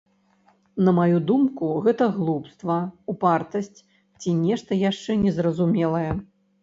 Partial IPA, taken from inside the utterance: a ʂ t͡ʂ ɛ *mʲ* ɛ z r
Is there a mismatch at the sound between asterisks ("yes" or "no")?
yes